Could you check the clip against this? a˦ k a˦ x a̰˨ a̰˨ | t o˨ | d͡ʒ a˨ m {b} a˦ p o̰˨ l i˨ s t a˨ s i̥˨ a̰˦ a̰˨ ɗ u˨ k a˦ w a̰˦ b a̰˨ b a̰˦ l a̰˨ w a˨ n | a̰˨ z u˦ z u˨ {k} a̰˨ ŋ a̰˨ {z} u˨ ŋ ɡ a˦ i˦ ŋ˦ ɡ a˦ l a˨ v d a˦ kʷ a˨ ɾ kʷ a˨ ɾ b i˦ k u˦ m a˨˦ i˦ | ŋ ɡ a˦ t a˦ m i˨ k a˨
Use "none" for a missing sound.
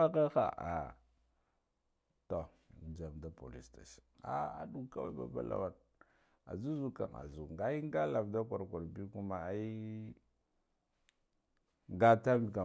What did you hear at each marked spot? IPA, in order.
d, k, z

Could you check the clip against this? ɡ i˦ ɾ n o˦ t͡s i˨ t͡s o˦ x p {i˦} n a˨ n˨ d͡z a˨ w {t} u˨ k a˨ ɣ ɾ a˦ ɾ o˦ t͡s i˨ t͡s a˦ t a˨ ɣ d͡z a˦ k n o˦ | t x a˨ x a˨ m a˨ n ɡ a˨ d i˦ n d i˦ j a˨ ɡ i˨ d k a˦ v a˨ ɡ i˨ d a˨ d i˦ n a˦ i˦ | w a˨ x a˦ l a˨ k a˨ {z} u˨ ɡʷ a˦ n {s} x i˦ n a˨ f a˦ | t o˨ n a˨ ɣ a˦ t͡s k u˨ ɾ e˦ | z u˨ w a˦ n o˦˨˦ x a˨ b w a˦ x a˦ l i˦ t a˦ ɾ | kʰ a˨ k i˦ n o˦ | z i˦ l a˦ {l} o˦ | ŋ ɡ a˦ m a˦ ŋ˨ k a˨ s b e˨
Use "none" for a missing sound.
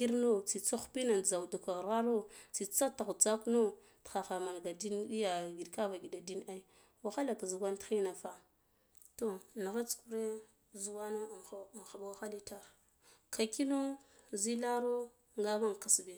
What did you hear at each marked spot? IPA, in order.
i˦, d, z, t, ɾ

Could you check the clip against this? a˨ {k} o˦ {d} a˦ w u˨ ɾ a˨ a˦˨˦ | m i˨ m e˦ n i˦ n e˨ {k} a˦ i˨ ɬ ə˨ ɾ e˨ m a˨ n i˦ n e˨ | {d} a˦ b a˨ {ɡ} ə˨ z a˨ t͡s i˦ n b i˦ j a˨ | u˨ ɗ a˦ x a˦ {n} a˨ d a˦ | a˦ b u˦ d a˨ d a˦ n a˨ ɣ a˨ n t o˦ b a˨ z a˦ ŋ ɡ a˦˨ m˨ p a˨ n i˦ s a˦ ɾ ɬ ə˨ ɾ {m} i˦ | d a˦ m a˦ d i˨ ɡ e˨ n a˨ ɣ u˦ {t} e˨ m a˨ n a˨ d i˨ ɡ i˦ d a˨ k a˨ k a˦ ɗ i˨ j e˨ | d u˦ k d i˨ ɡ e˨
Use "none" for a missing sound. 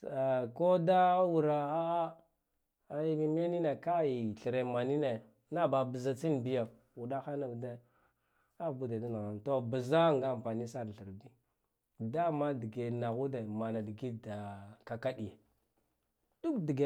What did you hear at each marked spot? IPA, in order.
k, d, k, n, b, n, b, d

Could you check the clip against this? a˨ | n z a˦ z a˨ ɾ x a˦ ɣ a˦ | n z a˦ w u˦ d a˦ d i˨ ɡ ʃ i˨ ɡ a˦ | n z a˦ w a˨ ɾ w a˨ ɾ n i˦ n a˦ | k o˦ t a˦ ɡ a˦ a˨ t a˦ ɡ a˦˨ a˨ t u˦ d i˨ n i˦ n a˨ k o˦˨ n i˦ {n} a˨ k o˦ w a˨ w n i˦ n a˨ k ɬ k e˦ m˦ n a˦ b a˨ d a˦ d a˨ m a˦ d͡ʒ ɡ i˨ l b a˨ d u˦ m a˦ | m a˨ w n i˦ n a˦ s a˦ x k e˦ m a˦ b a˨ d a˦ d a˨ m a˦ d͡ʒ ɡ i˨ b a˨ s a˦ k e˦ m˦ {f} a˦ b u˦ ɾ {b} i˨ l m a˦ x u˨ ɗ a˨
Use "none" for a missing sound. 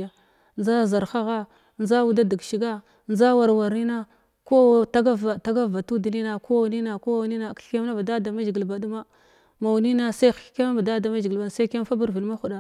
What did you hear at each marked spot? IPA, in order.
n, f, v

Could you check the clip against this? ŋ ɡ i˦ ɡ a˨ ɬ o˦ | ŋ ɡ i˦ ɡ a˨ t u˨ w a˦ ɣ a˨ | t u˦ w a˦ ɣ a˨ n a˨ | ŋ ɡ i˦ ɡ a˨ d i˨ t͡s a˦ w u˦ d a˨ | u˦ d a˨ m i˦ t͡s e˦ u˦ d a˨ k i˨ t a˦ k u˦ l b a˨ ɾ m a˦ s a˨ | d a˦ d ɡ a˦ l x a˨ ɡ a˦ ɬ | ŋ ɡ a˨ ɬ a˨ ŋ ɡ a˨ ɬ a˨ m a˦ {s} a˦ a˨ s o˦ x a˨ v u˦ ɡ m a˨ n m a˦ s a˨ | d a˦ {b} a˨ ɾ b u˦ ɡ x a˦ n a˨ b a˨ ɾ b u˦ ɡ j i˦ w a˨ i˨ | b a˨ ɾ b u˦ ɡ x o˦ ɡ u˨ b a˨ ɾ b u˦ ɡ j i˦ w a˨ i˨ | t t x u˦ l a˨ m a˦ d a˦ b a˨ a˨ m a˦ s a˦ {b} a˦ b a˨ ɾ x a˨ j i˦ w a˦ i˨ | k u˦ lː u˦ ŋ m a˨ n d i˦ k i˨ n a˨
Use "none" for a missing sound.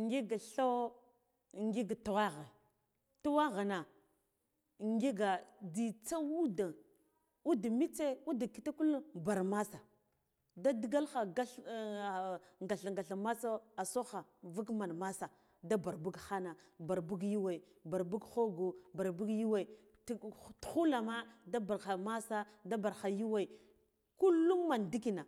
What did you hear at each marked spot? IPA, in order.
s, b, d

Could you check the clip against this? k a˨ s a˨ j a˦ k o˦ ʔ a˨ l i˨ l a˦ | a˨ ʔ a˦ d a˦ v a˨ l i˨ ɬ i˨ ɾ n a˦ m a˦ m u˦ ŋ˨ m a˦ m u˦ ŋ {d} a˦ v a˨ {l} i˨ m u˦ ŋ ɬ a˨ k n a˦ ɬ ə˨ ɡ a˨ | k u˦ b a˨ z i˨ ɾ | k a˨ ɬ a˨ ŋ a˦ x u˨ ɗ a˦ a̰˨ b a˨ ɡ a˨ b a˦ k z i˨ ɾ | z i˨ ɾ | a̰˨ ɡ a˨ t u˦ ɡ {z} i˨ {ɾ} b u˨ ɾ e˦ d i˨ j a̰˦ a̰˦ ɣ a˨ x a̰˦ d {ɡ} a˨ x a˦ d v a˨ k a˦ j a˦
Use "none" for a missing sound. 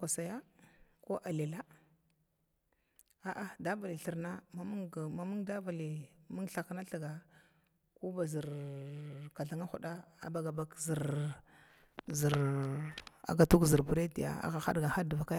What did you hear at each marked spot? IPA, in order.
d, l, z, ɾ, ɡ

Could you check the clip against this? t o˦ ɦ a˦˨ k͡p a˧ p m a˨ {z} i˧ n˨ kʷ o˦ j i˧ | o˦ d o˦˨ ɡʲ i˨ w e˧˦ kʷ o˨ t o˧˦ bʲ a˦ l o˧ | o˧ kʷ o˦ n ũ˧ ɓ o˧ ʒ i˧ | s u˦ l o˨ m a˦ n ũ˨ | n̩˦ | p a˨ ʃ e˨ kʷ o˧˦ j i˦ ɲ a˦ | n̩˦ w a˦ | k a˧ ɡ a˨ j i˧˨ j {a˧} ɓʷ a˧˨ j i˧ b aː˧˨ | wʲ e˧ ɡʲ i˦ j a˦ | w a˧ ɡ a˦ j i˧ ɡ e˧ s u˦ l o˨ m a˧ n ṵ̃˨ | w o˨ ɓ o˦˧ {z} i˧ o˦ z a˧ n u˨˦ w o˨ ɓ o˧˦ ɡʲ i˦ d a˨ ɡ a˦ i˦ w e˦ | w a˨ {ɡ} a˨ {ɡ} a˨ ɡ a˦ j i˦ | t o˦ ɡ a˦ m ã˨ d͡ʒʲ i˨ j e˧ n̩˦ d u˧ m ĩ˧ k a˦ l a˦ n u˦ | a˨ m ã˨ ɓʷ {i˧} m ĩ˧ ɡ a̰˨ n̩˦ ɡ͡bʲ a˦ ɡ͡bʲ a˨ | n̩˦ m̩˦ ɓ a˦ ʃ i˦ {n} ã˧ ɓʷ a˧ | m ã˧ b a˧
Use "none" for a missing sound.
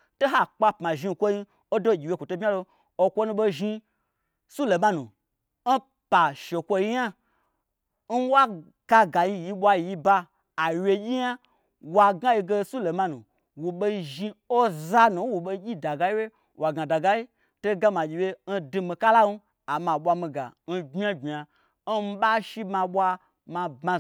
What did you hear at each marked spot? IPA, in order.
ʒ, i˧, ʒ, ɡ, d, a˧, m

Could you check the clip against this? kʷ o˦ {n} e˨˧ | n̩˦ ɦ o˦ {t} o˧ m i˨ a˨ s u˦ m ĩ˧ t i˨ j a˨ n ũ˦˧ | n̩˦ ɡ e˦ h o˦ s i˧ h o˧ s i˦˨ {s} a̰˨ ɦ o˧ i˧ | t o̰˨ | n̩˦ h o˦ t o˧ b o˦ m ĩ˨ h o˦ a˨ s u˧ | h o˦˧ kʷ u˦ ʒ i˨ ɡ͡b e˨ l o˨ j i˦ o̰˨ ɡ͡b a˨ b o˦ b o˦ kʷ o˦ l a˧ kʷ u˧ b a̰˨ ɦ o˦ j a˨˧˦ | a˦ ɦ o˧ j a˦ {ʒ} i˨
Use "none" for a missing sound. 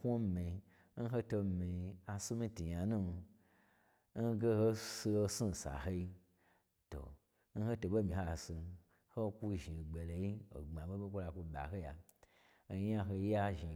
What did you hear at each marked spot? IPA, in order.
m, t, s, ʒ

